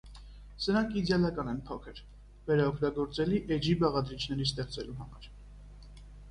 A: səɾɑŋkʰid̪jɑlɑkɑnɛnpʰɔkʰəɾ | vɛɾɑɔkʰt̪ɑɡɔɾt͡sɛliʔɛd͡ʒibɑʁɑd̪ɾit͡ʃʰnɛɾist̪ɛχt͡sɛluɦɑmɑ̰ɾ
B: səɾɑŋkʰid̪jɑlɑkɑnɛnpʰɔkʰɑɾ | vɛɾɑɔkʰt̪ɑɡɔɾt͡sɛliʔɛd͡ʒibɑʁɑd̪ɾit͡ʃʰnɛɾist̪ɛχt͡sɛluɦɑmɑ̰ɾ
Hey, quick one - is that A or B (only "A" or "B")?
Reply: A